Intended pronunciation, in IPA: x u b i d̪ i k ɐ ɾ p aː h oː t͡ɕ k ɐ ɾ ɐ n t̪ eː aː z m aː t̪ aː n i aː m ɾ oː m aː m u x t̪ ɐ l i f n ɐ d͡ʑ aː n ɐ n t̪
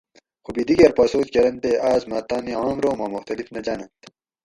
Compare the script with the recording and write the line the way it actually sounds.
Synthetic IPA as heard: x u b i d̪ i ɡ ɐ ɾ p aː s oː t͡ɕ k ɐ ɾ ɐ n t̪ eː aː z m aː t̪ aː n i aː m ɾ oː m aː m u x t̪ ɐ l i f n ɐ d͡ʑ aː n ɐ n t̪